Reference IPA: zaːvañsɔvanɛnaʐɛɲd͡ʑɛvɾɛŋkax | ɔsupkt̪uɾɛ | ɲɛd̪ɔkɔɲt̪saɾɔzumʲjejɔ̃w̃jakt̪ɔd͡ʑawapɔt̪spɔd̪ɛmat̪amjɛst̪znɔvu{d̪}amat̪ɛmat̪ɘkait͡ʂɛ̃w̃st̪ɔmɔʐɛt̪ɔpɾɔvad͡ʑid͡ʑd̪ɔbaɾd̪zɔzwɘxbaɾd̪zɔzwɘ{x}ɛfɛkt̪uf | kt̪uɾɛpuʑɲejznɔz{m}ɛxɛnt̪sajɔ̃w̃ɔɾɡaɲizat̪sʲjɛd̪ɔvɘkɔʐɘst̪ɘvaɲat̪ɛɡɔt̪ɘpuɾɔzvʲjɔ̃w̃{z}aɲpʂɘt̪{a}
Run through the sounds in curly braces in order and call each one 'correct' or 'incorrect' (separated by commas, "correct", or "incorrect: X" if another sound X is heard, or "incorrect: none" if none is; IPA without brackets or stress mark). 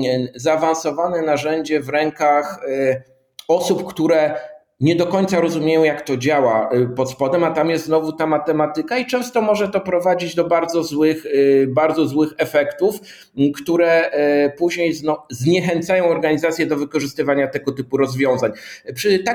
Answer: incorrect: t̪, correct, incorrect: ɲ, correct, correct